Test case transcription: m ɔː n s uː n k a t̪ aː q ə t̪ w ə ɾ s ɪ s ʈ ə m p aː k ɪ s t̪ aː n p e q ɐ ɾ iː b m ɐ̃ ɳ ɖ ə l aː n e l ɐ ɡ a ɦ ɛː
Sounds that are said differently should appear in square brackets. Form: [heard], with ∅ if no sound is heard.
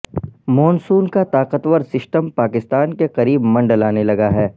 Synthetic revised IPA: m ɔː n s uː n k a t̪ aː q ə t̪ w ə ɾ s ɪ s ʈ ə m p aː k ɪ s t̪ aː n [k] e q ɐ ɾ iː b m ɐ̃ ɳ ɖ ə l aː n e l ɐ ɡ a ɦ ɛː